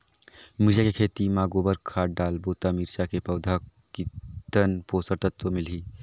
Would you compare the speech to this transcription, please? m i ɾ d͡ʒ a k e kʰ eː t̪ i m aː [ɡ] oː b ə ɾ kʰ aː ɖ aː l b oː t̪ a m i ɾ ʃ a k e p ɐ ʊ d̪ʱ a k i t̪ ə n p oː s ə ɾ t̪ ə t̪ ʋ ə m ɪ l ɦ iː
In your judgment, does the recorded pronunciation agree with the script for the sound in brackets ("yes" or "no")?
yes